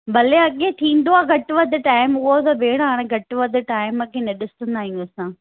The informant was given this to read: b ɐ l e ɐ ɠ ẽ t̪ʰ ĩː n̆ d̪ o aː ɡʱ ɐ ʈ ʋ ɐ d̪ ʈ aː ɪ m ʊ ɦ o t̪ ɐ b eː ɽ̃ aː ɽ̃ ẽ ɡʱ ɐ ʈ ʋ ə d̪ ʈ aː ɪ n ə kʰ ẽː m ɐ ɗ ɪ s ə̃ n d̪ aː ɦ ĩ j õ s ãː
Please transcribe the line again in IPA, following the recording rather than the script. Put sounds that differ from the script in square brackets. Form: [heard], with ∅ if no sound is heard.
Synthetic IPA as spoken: b ɐ l e ɐ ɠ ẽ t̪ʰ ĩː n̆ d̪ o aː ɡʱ ɐ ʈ ʋ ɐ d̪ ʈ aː ɪ m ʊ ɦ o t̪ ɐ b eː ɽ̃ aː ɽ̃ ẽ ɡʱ ɐ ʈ ʋ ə d̪ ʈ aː ɪ [m] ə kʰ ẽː [n] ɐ ɗ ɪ s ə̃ n d̪ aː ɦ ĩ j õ s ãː